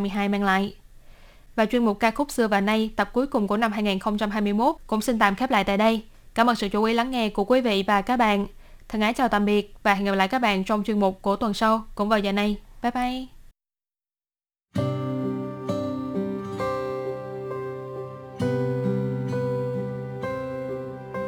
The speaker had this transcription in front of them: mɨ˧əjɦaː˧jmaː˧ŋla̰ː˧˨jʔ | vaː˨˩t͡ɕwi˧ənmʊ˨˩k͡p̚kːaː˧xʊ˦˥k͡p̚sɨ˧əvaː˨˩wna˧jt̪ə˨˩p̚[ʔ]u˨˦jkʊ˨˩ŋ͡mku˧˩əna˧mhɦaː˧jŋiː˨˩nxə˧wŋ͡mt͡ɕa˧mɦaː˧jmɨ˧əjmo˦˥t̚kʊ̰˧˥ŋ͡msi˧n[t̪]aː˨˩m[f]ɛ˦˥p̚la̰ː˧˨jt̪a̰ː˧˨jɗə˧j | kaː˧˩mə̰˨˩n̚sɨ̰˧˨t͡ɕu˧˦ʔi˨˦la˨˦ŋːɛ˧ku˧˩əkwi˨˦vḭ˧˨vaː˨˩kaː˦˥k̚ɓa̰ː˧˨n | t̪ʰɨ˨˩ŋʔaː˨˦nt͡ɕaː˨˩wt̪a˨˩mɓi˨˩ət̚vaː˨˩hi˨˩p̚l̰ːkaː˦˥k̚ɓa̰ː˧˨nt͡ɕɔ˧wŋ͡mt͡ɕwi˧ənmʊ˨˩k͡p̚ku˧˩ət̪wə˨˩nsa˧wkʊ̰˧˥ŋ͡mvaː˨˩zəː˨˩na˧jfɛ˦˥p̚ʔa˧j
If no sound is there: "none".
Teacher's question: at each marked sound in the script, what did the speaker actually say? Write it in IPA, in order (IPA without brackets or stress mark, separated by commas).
k, t̪, x